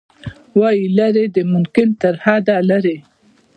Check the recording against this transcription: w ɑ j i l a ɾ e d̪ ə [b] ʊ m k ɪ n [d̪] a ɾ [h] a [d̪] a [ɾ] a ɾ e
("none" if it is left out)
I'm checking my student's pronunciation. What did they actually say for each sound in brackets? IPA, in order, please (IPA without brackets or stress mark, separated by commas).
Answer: m, t̪, h, d̪, l